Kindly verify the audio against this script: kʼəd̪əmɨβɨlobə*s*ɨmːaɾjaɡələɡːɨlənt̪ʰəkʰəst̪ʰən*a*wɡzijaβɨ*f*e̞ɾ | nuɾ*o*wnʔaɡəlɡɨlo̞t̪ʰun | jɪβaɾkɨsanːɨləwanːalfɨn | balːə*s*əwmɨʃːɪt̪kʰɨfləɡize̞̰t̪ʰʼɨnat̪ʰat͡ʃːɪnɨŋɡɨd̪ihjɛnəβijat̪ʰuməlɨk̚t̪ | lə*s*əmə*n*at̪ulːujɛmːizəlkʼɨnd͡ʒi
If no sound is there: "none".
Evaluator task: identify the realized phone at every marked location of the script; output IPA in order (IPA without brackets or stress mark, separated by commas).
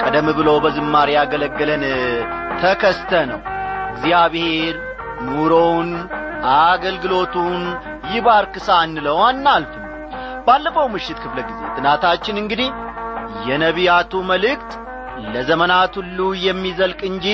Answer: z, ə, h, o, f, z, n